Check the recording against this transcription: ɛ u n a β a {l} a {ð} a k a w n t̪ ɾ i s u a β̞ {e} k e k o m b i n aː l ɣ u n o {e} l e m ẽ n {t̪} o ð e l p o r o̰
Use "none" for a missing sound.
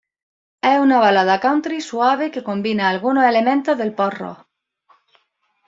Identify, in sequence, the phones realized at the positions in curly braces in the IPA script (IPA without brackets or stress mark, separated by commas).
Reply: l, ð, e, e, t̪